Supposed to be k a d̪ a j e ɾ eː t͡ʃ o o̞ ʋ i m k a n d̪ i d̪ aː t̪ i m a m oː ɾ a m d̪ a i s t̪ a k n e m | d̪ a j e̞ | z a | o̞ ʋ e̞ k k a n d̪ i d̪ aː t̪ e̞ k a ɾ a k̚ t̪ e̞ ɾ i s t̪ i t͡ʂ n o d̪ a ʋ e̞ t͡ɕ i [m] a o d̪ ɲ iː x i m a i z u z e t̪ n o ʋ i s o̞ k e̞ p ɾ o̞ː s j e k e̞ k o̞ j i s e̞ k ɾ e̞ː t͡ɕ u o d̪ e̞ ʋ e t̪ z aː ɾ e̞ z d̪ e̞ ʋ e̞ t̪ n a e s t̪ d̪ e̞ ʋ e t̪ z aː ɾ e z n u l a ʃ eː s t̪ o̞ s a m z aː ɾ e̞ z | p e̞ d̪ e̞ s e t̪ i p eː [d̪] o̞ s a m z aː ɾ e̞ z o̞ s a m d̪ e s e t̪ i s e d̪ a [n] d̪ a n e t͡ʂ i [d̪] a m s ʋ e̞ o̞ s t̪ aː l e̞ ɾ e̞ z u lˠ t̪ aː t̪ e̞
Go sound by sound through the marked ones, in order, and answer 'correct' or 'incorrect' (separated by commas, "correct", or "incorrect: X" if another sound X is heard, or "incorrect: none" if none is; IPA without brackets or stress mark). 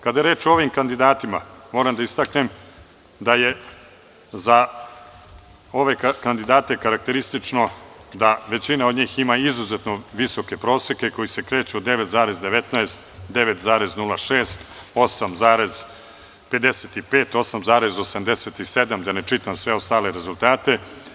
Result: incorrect: n, incorrect: t̪, incorrect: m, incorrect: t̪